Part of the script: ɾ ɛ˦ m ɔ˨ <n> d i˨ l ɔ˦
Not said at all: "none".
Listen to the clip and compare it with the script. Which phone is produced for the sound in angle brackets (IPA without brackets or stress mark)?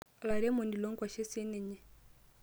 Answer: n